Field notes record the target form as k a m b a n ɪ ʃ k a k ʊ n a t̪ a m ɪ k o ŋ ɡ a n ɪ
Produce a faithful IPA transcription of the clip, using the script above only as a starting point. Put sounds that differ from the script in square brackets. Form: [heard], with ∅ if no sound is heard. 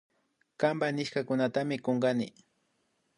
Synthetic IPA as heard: k a m b a n ɪ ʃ k a k ʊ n a t̪ a m ɪ k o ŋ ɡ a n ɪ